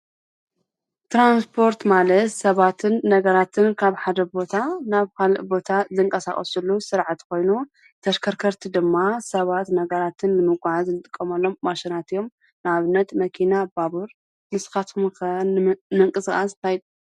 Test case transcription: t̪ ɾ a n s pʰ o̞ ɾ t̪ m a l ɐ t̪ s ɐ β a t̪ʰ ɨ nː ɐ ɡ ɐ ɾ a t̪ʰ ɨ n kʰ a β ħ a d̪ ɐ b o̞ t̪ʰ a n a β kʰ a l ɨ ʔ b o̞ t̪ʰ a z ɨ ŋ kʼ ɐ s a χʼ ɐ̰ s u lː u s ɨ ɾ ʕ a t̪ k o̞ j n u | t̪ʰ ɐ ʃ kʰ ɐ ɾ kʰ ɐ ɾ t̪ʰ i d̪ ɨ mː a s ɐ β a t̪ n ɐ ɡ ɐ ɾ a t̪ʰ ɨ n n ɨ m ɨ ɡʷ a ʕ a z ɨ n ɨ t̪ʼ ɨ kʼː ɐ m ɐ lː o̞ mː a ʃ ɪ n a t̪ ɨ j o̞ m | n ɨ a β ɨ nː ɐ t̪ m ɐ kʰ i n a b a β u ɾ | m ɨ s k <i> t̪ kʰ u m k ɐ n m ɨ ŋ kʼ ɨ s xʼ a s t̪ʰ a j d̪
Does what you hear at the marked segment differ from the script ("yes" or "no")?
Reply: yes